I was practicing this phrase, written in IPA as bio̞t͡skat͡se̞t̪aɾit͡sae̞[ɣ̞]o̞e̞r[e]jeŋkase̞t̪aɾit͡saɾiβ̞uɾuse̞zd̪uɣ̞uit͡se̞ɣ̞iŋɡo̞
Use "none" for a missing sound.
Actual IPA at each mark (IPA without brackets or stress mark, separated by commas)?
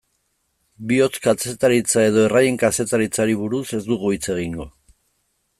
ð̞, a